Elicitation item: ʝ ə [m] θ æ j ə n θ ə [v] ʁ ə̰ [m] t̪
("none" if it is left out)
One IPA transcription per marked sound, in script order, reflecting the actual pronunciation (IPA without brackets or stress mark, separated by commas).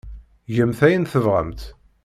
m, v, m